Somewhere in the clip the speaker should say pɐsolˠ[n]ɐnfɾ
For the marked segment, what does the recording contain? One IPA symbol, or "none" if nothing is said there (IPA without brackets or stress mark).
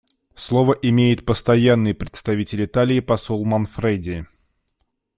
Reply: m